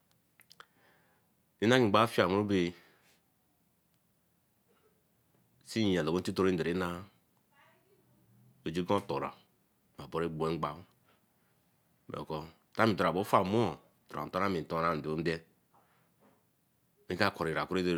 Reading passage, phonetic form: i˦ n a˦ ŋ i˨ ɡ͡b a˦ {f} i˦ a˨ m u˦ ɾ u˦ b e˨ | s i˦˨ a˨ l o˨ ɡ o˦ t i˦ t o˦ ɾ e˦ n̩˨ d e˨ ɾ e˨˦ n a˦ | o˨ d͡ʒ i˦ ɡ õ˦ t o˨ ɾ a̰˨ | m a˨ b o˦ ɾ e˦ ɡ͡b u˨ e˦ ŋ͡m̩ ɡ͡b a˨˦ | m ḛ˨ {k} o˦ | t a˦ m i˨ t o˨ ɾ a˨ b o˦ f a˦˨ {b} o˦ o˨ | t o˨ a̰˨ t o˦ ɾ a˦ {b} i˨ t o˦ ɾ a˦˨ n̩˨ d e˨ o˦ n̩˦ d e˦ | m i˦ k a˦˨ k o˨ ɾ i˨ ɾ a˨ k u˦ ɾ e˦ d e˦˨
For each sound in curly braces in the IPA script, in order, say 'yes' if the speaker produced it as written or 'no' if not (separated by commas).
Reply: yes, yes, no, no